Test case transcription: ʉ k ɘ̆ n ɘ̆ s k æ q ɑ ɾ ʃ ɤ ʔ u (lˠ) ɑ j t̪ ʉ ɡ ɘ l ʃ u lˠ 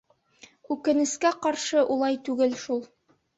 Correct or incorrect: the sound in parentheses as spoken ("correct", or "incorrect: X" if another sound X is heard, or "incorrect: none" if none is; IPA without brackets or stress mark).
correct